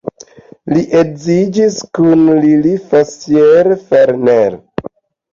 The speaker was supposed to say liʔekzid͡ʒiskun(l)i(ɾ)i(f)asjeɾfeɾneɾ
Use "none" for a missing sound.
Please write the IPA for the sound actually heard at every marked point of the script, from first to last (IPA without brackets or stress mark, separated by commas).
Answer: l, l, f